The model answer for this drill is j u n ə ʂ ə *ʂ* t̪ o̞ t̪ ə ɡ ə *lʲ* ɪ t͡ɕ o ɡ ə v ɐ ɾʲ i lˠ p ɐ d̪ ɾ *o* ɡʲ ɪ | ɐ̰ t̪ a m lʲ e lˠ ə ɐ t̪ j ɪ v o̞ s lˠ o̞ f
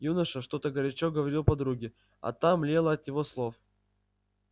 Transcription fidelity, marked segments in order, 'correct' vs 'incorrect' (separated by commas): correct, incorrect, incorrect